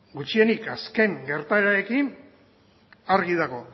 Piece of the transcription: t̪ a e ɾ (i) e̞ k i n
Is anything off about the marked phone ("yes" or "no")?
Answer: yes